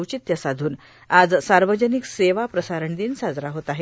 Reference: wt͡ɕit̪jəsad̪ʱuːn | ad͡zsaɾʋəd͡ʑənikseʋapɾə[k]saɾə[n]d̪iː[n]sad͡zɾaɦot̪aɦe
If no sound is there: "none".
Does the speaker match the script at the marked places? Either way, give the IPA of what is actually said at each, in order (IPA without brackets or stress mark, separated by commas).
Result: none, ɳ, n